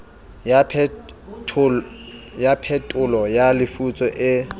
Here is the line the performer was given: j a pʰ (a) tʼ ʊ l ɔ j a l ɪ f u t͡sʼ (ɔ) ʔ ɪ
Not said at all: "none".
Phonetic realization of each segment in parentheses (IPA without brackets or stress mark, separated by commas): ɛ, ɔ